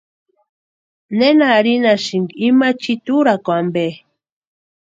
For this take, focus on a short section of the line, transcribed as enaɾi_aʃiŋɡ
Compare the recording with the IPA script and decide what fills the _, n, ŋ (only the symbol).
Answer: n